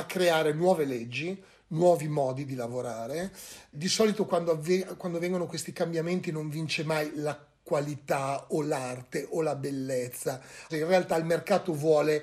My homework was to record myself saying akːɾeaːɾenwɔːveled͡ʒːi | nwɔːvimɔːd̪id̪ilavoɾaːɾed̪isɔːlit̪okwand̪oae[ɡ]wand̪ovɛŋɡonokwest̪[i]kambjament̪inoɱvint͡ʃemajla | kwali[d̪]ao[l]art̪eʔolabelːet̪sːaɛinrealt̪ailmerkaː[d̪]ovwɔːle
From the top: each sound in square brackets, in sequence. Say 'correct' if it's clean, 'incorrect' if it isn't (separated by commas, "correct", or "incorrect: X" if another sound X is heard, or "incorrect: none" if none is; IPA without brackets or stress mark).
incorrect: k, correct, incorrect: t̪, correct, incorrect: t̪